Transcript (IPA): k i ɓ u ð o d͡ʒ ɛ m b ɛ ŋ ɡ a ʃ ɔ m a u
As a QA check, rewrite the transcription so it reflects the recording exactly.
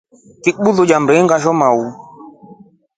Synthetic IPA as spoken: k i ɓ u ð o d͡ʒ a m b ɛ ŋ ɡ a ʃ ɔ m a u